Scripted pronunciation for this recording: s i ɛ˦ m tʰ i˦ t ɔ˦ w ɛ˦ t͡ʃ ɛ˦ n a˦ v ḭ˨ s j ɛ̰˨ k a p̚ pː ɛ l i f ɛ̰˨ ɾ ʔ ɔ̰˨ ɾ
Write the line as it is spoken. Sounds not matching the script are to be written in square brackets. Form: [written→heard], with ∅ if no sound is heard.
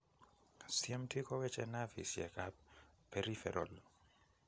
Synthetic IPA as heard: s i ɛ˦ m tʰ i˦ [t→k] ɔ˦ w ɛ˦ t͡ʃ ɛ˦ n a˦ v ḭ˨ s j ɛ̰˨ k a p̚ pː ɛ [l→ɾ] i f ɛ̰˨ ɾ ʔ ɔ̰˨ [ɾ→l]